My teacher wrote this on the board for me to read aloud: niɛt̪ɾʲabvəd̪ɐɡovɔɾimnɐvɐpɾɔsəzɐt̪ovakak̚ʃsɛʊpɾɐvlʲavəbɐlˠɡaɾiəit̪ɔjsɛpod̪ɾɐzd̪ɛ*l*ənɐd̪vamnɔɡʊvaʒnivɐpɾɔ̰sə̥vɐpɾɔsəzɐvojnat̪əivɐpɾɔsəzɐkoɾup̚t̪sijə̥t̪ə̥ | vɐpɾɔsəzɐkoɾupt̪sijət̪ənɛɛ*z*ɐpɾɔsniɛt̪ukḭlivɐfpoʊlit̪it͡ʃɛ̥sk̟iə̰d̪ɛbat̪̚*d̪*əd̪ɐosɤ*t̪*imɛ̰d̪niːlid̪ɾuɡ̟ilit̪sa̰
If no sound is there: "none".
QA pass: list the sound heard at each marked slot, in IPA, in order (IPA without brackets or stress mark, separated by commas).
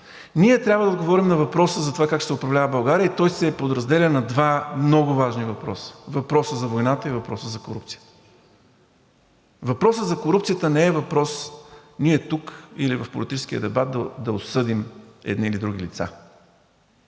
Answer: l, v, d̪, d̪